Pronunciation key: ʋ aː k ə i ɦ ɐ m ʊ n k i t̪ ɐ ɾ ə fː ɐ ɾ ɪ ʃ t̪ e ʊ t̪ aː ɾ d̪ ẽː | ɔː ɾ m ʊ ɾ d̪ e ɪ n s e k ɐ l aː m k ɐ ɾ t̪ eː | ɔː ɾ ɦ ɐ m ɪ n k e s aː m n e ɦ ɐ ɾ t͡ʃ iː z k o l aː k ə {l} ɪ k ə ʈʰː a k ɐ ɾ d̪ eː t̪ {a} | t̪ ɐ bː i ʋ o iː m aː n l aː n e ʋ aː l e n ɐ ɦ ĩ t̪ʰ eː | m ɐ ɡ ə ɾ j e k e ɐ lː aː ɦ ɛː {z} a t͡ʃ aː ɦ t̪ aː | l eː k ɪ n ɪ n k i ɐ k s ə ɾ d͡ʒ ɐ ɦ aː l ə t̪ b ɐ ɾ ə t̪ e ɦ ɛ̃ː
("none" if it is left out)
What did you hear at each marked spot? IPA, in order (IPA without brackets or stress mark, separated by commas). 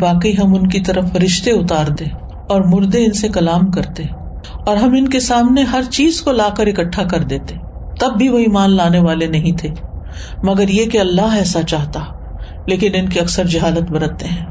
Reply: ɾ, e, s